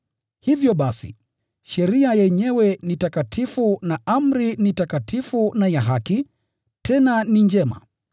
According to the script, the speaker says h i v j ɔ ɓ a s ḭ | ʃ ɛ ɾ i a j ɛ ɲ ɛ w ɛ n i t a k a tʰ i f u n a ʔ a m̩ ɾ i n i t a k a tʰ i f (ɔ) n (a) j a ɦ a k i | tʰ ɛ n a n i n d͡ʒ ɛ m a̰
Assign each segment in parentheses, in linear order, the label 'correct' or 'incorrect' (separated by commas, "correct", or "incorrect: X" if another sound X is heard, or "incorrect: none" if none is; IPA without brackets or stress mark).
incorrect: u, correct